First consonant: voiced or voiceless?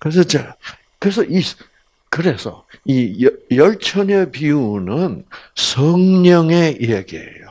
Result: voiceless